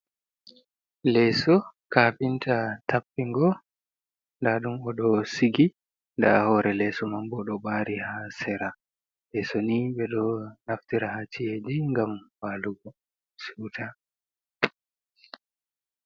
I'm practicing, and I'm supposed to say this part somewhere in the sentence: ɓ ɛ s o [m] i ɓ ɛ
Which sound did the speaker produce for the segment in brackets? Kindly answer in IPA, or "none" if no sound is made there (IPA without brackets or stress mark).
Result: n